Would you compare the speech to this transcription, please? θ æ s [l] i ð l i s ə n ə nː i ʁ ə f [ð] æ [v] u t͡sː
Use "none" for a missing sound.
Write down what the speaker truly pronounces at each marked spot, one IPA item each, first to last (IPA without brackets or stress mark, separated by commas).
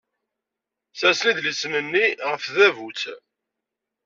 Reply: l, ð, v